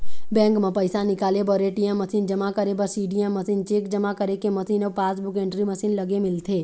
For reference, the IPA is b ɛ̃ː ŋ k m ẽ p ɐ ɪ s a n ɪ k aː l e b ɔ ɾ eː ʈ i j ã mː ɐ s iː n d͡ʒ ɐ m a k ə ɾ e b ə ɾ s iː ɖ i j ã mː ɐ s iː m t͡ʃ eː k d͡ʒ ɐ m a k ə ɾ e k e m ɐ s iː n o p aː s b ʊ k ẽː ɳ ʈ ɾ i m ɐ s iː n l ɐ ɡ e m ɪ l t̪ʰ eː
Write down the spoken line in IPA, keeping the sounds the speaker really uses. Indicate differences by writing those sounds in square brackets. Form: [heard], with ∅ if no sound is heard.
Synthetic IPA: b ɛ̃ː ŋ k m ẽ p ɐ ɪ s a n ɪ k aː l e b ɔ ɾ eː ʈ i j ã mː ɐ s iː n d͡ʒ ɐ m a k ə ɾ e b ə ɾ s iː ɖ i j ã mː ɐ s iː [n] t͡ʃ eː k d͡ʒ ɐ m a k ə ɾ e k e m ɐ s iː n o p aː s b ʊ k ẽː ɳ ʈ ɾ i m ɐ s iː n l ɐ ɡ e m ɪ l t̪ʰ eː

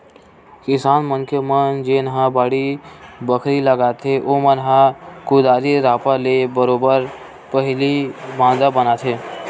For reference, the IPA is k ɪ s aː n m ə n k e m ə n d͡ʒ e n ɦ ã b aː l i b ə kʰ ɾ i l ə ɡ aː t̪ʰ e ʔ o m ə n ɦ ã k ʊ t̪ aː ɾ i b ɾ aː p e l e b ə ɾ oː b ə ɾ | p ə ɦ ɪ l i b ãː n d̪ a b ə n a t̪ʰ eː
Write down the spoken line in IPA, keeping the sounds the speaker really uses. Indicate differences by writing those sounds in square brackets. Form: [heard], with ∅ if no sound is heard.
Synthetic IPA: k ɪ s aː n m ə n k e m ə n d͡ʒ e n ɦ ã b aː [ɽ] i b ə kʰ ɾ i l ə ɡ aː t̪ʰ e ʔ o m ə n ɦ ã k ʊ [d̪] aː ɾ i [∅] ɾ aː p [a] l e b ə ɾ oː b ə ɾ | p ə ɦ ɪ l i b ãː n d̪ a b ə n a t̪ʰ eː

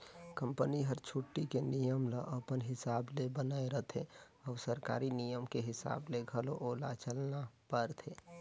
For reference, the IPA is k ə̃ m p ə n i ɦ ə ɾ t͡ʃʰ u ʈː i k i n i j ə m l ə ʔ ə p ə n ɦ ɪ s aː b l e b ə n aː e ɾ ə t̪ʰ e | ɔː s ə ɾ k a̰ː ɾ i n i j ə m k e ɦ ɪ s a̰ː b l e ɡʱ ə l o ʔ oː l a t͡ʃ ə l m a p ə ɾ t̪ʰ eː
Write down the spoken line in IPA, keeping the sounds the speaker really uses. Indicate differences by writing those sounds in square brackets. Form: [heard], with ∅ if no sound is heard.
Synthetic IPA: k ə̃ m p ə n i ɦ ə ɾ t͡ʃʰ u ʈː i k [e] n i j ə m l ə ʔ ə p ə n ɦ ɪ s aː b l e b ə n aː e ɾ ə t̪ʰ e | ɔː s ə ɾ k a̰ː ɾ i n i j ə m k e ɦ ɪ s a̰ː b l e ɡʱ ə l o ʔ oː l a t͡ʃ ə l [n] a p ə ɾ t̪ʰ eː

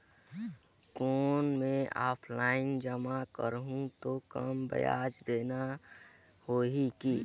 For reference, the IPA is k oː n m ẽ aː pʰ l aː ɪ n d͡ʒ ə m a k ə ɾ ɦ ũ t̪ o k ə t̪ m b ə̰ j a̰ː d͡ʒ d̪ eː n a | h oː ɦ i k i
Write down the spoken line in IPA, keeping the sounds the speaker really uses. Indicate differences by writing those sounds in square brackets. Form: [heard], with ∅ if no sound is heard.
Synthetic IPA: k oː n m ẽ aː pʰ l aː ɪ n d͡ʒ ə m a k ə ɾ ɦ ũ t̪ o k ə [∅] m b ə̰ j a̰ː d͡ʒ d̪ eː n a | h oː ɦ i k i

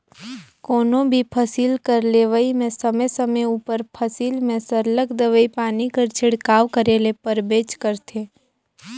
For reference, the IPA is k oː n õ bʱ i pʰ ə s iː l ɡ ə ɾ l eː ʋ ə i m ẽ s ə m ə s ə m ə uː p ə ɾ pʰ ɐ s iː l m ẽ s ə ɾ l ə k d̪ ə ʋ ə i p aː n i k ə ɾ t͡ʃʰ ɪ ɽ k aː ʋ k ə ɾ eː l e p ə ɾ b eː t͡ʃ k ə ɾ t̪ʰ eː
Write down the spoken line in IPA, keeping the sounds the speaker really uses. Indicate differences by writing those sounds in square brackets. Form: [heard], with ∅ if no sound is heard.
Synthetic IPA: k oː n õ bʱ i pʰ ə s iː l [k] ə ɾ l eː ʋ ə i m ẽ s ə m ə s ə m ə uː p ə ɾ pʰ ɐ s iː l m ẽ s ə ɾ l ə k d̪ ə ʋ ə i p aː n i k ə ɾ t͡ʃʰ ɪ ɽ k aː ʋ k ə ɾ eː l e p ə ɾ b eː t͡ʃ k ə ɾ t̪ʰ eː

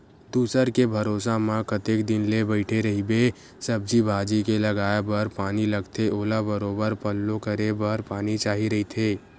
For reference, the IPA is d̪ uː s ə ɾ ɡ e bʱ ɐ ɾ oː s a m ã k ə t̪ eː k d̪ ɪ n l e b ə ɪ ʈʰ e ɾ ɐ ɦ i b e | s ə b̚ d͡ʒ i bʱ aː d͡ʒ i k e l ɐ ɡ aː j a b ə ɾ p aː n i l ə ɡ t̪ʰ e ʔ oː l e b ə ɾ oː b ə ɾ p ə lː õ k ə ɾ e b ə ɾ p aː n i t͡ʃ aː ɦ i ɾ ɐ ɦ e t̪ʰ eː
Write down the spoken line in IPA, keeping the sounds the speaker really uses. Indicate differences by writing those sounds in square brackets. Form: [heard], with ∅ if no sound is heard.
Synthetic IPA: d̪ uː s ə ɾ [k] e bʱ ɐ ɾ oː s a m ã k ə t̪ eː k d̪ ɪ n l e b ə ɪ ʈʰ e ɾ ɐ ɦ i b e | s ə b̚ d͡ʒ i bʱ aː d͡ʒ i k e l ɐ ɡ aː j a b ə ɾ p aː n i l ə ɡ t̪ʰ e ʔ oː l [a] b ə ɾ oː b ə ɾ p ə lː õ k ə ɾ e b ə ɾ p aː n i t͡ʃ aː ɦ i ɾ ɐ ɦ [i] t̪ʰ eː

